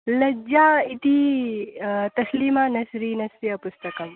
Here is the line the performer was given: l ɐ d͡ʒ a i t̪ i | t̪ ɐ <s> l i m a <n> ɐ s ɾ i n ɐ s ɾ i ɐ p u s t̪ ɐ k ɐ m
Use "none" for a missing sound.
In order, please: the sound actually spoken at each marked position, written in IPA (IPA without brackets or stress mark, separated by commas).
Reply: s, n